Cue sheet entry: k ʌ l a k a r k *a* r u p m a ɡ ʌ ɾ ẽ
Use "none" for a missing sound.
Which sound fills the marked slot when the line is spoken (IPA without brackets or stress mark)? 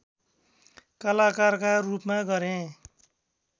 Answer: a